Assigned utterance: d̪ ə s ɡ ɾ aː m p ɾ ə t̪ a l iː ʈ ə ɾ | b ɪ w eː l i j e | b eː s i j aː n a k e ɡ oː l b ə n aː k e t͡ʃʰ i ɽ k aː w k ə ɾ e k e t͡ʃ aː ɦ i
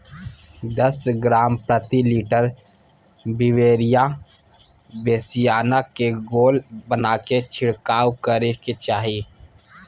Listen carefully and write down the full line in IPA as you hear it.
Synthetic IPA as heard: d̪ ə s ɡ ɾ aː m p ɾ ə t̪ i l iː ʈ ə ɾ | b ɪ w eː ɾ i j a | b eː s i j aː n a k e ɡ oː l b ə n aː k e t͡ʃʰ ɪ ɽ k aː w k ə ɾ e k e t͡ʃ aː ɦ i